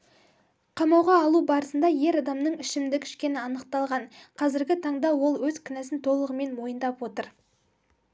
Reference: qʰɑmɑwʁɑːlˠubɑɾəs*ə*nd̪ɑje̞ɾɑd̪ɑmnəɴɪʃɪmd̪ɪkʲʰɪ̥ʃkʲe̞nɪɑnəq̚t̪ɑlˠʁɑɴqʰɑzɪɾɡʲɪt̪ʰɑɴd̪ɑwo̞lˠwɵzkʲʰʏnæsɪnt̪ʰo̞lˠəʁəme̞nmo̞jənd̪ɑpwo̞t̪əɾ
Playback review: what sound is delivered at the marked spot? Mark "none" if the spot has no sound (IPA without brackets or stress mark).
ə